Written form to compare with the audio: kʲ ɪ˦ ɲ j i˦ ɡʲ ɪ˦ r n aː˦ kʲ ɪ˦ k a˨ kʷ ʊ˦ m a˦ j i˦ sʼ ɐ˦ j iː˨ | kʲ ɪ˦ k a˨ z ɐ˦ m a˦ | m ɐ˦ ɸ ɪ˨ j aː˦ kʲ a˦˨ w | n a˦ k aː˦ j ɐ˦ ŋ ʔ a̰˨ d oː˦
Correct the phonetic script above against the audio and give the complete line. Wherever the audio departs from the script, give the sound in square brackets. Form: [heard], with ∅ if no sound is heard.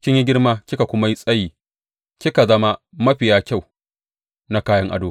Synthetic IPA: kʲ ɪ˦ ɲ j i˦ ɡʲ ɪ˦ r [m] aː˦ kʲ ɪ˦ k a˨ kʷ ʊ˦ m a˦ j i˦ sʼ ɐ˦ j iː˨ | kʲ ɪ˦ k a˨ z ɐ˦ m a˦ | m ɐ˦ ɸ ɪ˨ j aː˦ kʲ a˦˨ w | n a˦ k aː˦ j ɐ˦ ŋ ʔ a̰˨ d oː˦